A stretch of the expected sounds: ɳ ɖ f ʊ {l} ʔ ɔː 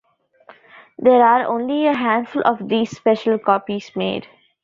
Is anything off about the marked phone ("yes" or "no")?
no